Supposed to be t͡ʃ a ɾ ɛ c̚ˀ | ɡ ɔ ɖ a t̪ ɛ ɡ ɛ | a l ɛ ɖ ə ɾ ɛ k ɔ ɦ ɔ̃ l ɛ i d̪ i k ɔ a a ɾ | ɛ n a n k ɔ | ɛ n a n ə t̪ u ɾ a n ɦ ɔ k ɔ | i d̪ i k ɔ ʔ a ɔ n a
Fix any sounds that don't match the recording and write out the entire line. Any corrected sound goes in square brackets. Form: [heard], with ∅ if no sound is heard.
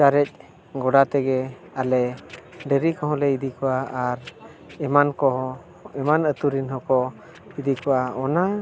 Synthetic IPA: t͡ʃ a ɾ ɛ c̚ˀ | ɡ ɔ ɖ a t̪ ɛ ɡ ɛ | a l ɛ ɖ ə ɾ [i] k ɔ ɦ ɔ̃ l ɛ i d̪ i k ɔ a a ɾ | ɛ [m] a n k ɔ | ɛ [m] a n ə t̪ u ɾ [i] n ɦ ɔ k ɔ | i d̪ i k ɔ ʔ a ɔ n a